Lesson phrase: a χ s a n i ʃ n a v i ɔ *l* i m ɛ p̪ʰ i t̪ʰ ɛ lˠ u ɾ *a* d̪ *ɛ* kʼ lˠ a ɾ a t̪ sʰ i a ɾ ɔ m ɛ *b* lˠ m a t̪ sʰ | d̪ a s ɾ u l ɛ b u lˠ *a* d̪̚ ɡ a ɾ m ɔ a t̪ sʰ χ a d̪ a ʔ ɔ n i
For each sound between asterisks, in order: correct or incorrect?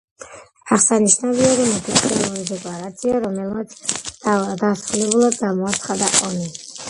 incorrect: ɾ, incorrect: i, correct, incorrect: none, correct

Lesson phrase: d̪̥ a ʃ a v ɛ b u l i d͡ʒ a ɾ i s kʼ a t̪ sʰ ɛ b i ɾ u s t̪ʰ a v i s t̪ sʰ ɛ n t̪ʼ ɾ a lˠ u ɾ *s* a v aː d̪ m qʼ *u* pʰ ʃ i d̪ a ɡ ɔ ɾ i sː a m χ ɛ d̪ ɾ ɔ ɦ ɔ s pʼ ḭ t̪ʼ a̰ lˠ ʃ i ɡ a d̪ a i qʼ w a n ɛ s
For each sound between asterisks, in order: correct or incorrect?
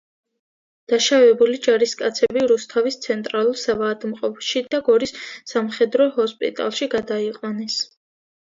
correct, incorrect: ɔ

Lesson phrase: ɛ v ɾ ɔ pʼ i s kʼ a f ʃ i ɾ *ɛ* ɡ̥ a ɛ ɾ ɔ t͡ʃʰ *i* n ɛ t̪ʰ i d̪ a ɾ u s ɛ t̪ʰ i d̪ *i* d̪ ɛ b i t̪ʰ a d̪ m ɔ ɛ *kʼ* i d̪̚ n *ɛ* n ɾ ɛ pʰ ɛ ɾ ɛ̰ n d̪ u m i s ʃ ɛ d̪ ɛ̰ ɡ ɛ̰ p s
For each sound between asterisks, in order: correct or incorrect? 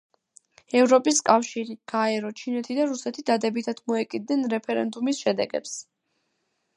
incorrect: i, correct, incorrect: a, correct, correct

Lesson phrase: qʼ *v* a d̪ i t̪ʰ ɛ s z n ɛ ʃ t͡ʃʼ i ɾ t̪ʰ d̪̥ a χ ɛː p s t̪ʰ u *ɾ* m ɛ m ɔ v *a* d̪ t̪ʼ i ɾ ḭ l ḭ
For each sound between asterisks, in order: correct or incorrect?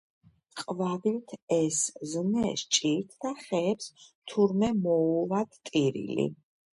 correct, correct, correct

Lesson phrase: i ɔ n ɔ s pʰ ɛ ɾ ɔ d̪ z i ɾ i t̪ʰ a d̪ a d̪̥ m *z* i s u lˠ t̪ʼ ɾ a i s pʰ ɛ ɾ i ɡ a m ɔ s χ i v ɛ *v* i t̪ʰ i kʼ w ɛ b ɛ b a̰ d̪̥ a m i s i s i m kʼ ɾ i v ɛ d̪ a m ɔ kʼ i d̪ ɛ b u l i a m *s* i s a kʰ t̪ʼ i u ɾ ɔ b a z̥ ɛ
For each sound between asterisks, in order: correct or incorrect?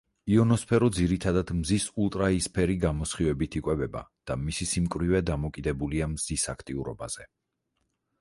correct, incorrect: b, incorrect: z

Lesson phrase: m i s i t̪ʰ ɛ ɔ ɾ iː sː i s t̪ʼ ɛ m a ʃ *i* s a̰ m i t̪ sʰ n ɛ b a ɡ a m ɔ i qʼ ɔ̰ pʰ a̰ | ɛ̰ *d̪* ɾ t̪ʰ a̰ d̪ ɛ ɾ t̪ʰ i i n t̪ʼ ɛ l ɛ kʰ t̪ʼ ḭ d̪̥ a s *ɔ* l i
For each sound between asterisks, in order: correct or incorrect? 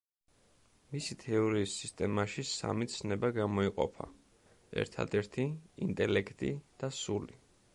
correct, incorrect: none, incorrect: u

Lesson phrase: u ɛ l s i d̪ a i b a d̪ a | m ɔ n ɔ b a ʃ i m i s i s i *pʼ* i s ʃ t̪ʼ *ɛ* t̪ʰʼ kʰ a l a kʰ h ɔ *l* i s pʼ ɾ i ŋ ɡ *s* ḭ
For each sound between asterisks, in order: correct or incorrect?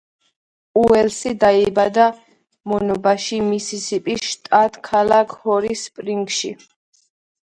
correct, incorrect: a, incorrect: ɾ, incorrect: ʃ

